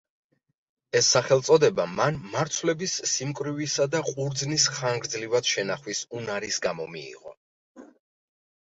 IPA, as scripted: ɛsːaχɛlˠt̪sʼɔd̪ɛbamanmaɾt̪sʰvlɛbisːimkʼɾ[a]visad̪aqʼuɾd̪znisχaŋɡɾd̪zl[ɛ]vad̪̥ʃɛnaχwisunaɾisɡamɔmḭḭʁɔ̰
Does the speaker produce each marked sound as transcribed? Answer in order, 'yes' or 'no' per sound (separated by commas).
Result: no, no